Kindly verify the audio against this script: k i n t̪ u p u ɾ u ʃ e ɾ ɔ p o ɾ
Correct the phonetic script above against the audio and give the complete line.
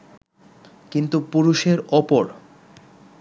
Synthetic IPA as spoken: k i n t̪ u p u ɾ u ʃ e ɾ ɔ p o ɾ